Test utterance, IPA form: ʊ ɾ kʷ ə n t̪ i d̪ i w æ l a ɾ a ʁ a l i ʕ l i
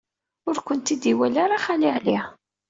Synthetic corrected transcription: ʊ ɾ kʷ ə n t̪ i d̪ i w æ l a ɾ a χ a l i ʕ l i